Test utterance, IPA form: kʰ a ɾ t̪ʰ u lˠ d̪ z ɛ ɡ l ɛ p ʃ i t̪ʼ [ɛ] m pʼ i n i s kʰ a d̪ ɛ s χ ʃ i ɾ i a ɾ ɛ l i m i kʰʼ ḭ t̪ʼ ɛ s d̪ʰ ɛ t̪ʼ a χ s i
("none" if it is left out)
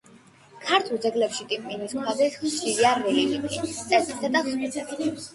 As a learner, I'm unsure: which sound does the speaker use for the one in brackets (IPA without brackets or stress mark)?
i